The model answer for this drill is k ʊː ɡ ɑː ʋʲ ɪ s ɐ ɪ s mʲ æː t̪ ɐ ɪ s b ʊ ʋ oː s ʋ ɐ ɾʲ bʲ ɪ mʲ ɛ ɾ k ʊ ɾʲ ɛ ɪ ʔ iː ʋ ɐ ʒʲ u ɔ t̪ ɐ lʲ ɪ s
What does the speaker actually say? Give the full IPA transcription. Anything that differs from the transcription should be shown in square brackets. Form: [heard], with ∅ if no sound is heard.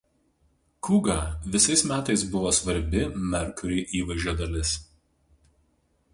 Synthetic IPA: k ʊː ɡ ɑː ʋʲ ɪ s ɐ ɪ s mʲ æː t̪ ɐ ɪ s b ʊ ʋ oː s ʋ ɐ ɾʲ bʲ ɪ mʲ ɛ ɾ k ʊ ɾʲ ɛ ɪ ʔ iː ʋ ɐ ʒʲ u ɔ [d̪] ɐ lʲ ɪ s